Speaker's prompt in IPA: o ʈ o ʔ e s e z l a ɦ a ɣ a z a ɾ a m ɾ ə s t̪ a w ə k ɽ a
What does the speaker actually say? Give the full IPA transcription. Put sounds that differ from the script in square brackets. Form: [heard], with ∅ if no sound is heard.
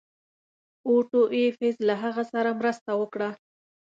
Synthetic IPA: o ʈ o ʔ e [f] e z l a ɦ a ɣ a [s] a ɾ a m ɾ ə s t̪ a w ə k ɽ a